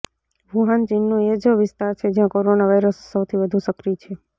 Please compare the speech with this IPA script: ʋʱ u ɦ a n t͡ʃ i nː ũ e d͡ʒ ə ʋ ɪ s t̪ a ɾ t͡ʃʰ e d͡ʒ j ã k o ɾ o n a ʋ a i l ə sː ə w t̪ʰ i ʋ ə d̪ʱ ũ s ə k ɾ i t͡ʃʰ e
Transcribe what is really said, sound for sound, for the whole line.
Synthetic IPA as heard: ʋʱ u ɦ a n t͡ʃ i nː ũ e d͡ʒ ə ʋ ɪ s t̪ a ɾ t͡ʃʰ e d͡ʒ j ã k o ɾ o n a ʋ a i ɾ ə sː ə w t̪ʰ i ʋ ə d̪ʱ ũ s ə k ɾ i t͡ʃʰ e